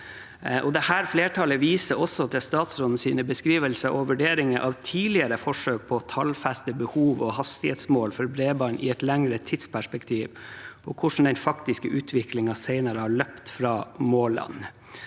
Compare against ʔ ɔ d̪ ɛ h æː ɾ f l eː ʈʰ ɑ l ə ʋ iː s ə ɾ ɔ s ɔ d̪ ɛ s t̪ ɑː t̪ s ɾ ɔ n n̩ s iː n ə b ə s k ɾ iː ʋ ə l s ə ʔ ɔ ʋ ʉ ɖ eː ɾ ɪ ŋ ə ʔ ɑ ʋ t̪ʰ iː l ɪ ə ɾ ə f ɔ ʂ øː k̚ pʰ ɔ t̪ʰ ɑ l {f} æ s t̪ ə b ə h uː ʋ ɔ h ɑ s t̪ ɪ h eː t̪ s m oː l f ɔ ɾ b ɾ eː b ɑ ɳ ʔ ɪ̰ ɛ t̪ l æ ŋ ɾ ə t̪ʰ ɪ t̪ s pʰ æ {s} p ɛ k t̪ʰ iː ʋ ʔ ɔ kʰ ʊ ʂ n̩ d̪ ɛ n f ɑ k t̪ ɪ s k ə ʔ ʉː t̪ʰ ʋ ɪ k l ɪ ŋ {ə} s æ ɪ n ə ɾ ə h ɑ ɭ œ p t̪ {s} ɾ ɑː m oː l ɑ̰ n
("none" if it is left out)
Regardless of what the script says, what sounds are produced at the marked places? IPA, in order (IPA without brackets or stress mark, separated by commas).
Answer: f, ʂ, ɑ, f